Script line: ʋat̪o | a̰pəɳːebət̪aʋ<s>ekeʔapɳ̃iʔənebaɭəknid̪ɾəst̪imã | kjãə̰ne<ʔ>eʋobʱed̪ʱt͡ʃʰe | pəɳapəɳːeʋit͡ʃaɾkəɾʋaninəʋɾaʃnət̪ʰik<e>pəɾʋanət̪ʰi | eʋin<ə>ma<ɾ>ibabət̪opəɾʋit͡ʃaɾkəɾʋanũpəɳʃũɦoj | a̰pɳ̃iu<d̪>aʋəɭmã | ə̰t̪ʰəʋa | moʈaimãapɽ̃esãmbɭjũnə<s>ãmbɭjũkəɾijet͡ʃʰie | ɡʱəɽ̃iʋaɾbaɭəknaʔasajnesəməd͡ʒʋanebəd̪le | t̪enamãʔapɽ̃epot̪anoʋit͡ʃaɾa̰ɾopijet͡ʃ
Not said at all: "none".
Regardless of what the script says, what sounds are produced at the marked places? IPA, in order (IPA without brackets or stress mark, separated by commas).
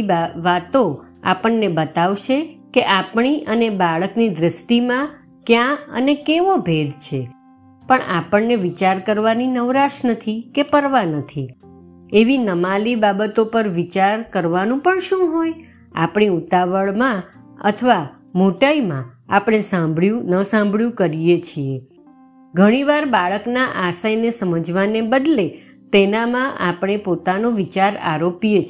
ʃ, k, e, ə, l, t̪, s